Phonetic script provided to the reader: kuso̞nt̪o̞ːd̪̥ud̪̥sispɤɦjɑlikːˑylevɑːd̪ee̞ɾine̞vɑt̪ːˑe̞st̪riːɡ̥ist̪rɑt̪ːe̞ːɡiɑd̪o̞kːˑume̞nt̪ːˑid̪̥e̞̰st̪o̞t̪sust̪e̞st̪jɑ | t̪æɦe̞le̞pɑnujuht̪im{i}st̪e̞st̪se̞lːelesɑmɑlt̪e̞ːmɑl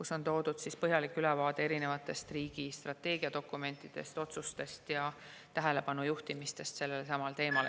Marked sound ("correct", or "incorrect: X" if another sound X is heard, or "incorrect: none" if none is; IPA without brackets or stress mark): correct